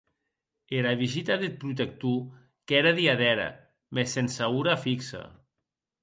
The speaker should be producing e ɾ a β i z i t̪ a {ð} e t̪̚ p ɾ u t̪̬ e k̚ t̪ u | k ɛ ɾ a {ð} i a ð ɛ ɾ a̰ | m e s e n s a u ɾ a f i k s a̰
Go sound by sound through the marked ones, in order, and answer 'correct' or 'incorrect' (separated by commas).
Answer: correct, correct